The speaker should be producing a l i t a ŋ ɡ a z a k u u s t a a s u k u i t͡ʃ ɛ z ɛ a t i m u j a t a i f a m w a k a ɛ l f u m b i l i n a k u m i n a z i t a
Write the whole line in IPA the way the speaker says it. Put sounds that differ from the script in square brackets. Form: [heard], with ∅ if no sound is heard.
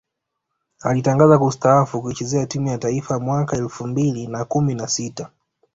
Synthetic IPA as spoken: a l i t a ŋ ɡ a z a k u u s t a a [f] u k u i t͡ʃ ɛ z ɛ a t i m u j a t a i f a m w a k a ɛ l f u m b i l i n a k u m i n a [s] i t a